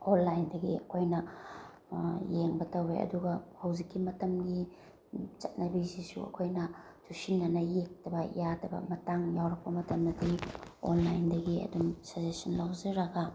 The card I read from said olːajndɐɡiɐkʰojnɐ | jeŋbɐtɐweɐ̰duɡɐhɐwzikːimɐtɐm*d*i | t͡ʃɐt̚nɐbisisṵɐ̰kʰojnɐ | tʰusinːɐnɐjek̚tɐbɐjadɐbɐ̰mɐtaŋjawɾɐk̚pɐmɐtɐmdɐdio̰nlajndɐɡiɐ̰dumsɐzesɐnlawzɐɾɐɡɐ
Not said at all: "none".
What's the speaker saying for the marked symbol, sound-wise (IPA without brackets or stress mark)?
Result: ɡ